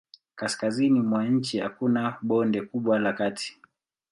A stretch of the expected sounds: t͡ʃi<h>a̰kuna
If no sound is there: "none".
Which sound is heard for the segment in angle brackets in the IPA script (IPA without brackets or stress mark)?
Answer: h